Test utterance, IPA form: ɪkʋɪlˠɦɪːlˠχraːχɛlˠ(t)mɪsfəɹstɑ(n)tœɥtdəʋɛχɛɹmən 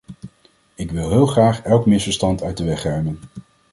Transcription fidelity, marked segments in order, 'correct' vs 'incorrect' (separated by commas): incorrect, correct